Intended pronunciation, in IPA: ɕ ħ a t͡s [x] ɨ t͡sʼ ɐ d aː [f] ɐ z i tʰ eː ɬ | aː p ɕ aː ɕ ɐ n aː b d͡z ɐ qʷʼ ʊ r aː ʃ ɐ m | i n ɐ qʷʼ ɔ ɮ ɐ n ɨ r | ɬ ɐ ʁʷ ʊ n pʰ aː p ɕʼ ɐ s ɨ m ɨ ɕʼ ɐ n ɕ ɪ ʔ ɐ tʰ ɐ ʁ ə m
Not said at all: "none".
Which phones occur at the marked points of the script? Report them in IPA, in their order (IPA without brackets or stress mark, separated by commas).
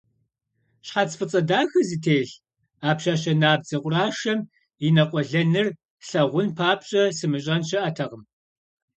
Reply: f, x